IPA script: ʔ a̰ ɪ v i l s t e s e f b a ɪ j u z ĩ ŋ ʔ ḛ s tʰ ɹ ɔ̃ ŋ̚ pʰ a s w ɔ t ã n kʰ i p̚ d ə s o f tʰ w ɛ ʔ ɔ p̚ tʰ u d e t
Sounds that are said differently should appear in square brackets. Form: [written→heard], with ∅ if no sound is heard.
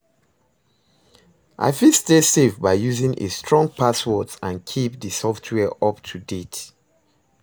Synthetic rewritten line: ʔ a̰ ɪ [v→f] i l s t e s e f b a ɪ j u z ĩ ŋ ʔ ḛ s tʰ ɹ ɔ̃ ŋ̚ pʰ a s w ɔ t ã n kʰ i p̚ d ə s [o→ɔ] f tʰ w ɛ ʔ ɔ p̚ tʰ u d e t